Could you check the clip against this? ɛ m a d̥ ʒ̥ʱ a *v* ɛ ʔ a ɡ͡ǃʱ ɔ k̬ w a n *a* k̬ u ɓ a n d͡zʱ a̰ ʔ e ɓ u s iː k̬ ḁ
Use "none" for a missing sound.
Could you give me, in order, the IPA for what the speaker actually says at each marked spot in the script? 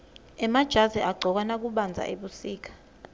z, a

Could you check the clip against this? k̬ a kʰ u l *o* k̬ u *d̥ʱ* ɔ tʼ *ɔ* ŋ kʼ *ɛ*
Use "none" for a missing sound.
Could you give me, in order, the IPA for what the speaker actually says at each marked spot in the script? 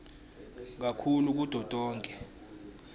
u, d̥ʱ, ɔː, ɛ

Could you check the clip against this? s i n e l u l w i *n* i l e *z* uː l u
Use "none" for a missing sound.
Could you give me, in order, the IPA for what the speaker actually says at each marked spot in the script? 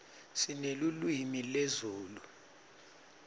m, z

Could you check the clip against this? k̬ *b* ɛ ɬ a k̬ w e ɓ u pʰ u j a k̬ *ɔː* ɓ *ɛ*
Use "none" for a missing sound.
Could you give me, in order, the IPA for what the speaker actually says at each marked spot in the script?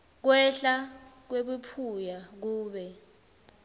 w, uː, ɛ

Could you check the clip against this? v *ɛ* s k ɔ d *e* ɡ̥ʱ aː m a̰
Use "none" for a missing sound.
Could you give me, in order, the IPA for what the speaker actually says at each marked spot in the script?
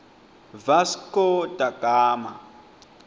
a, a

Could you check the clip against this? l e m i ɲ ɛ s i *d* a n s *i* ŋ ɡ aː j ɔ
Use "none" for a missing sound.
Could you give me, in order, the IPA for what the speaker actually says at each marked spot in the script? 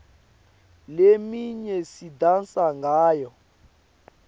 d, a

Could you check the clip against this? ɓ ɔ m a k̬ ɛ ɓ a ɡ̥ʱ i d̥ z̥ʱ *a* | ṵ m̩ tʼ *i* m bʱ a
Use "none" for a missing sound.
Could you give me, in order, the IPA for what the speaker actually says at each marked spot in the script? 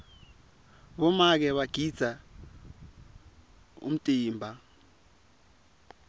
a, iː

